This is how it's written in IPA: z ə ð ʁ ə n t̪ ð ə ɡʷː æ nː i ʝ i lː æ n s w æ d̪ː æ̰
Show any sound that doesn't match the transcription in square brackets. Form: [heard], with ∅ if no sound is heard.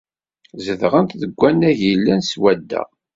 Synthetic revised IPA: z ə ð ʁ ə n t̪ ð ə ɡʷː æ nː [æ] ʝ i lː æ n s w æ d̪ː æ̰